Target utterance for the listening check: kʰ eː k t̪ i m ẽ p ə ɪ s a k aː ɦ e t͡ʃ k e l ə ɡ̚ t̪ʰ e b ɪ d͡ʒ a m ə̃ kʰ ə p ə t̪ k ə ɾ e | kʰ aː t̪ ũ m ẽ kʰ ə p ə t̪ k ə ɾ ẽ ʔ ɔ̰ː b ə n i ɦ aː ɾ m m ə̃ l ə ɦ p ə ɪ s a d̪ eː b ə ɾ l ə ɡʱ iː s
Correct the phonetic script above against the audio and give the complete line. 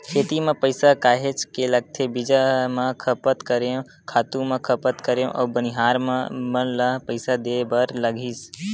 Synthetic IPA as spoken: kʰ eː t̪ i m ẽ p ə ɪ s a k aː ɦ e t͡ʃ k e l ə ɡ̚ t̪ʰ e b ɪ d͡ʒ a m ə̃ kʰ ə p ə t̪ k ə ɾ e | kʰ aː t̪ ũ m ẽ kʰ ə p ə t̪ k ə ɾ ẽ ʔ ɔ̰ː b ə n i ɦ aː ɾ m m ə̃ l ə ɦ p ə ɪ s a d̪ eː b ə ɾ l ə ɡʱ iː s